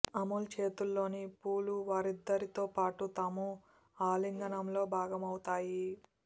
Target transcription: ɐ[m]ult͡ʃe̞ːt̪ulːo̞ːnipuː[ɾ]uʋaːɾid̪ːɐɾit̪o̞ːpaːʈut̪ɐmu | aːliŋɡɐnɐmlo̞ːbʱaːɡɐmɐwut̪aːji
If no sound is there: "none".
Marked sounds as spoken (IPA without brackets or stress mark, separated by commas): m, l